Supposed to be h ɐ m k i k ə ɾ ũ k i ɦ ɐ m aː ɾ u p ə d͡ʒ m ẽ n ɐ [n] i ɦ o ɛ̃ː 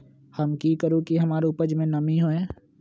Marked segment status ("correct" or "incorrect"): incorrect